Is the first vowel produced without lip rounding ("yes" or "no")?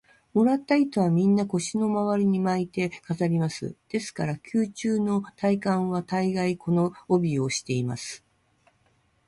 no